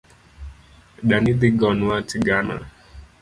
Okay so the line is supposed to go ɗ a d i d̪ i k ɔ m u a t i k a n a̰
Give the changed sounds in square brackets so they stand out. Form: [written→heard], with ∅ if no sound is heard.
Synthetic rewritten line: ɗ a [d→n] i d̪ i [k→ɡ] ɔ [m→n] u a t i [k→ɡ] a n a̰